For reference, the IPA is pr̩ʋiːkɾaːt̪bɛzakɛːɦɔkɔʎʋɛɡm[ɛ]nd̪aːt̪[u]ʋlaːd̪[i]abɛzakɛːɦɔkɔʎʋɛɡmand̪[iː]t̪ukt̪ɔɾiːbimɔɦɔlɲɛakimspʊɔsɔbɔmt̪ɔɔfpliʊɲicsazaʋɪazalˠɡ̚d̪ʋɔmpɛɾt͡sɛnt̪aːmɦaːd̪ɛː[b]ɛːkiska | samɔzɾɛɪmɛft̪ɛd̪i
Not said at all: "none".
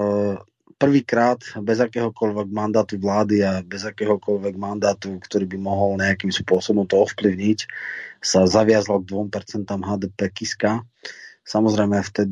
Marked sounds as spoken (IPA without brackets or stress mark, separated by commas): a, u, i, aː, p